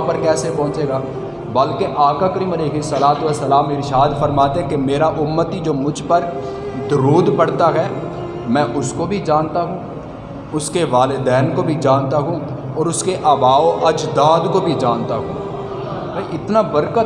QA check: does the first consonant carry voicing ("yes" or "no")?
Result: no